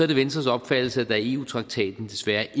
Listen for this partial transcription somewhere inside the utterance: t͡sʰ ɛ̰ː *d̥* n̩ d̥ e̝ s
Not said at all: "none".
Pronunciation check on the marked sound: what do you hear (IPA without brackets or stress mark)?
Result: d̥